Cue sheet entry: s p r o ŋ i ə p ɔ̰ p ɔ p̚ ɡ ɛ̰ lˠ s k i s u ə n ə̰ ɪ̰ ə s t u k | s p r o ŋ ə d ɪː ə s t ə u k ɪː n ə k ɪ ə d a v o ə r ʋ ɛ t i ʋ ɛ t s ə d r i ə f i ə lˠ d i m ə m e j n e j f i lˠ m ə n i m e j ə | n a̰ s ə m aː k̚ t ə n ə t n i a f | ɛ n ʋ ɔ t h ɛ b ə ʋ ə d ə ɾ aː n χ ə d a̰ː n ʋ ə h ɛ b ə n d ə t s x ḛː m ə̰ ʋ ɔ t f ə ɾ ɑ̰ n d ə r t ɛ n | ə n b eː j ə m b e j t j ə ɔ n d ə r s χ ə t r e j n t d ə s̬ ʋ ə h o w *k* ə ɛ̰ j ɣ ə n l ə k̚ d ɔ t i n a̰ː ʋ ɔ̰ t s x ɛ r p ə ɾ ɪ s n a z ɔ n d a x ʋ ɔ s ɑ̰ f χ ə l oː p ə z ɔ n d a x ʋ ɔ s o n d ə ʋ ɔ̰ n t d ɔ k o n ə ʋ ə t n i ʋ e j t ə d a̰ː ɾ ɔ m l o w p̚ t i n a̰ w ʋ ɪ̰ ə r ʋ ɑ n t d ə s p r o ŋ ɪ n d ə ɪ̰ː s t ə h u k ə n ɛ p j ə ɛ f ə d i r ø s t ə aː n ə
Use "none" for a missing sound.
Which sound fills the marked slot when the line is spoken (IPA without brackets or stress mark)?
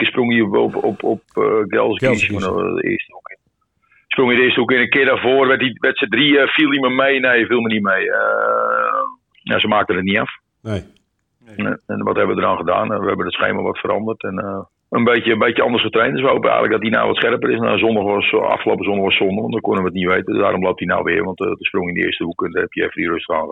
p